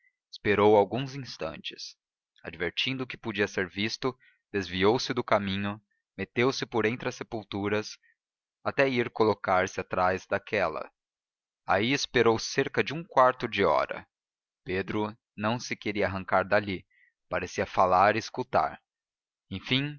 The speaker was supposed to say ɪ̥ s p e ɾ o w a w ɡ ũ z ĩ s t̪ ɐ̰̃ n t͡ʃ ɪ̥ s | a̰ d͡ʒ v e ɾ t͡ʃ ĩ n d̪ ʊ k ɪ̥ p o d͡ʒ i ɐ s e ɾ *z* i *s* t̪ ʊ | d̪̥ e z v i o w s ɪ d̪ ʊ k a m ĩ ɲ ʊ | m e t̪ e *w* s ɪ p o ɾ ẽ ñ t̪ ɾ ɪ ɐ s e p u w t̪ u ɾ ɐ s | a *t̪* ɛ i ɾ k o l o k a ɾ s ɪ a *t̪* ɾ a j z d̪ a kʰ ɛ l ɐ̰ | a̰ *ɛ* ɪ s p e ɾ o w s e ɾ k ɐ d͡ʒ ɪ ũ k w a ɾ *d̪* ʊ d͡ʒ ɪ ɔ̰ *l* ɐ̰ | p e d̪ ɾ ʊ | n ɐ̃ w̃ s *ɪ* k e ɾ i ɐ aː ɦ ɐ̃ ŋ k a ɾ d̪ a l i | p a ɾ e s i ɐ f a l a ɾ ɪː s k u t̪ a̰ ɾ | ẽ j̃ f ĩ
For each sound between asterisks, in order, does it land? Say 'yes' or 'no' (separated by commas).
no, yes, yes, yes, yes, no, no, no, yes